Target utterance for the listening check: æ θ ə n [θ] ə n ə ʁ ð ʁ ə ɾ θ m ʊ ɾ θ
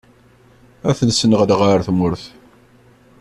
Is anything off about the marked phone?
yes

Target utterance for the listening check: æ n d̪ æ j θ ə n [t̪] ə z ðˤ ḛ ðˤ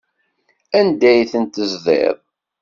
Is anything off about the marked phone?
no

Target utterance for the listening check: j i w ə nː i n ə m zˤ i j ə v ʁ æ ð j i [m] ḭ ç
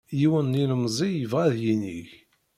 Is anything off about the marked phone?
yes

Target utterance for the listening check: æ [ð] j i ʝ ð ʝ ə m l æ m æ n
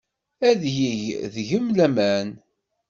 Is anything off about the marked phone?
no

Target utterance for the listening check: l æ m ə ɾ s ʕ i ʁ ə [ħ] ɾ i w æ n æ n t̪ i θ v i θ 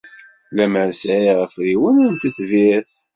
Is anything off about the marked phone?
yes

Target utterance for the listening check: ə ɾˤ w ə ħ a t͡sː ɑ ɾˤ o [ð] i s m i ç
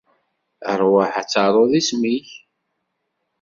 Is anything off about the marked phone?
no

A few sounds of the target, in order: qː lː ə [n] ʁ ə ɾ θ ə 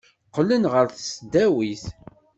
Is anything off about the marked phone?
no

